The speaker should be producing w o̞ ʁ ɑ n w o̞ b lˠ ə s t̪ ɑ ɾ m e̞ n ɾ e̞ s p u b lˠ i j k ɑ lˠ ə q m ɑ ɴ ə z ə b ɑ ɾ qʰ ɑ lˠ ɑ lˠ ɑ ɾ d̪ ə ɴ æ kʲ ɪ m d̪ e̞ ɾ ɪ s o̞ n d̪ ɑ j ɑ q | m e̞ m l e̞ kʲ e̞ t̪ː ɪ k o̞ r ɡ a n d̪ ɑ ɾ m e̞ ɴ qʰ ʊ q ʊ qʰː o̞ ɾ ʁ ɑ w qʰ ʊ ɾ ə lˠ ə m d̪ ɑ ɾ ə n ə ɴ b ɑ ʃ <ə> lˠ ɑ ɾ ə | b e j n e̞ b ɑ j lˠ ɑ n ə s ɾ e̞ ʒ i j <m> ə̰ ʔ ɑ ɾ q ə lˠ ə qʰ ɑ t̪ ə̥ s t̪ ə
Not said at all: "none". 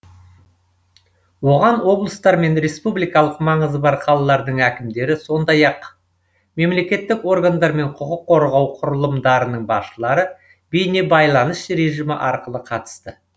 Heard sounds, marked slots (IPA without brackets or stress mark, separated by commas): ə, m